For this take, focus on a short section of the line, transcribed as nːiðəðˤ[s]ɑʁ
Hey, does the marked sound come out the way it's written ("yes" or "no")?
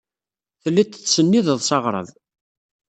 yes